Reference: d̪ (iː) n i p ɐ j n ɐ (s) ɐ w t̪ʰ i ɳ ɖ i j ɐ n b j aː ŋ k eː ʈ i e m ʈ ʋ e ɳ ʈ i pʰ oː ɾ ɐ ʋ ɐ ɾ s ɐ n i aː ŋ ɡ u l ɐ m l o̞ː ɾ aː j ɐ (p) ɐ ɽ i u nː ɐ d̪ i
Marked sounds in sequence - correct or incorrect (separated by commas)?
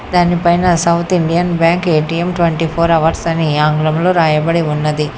incorrect, correct, incorrect